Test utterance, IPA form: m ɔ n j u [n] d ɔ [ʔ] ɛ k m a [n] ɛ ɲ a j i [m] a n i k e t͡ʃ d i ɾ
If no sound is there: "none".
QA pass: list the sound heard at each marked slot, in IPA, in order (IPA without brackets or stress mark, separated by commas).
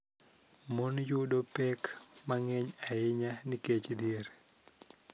none, p, ŋ, ɲ